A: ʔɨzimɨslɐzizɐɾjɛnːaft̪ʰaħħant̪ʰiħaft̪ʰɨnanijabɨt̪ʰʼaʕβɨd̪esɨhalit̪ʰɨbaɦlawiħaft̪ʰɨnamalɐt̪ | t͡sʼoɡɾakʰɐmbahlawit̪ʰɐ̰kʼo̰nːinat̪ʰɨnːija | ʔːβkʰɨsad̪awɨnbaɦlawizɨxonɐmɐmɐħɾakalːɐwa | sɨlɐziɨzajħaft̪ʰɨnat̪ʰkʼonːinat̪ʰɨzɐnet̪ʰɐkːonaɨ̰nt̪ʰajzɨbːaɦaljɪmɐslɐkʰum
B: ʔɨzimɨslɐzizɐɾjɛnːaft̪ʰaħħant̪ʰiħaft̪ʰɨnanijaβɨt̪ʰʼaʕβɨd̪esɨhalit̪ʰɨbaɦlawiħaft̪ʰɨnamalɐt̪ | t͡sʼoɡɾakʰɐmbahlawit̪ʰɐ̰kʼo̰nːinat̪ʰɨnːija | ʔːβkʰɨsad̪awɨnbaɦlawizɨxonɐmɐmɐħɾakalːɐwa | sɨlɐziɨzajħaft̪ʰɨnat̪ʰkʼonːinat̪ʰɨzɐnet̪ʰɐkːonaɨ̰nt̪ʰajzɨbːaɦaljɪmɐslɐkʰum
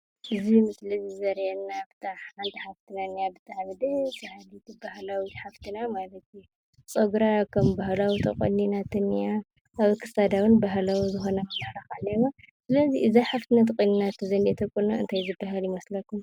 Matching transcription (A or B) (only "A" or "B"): A